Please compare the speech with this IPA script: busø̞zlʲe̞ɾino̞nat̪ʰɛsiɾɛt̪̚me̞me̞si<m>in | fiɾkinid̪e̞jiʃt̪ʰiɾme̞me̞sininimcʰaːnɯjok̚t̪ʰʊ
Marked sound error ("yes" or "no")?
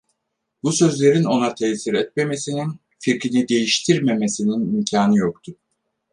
yes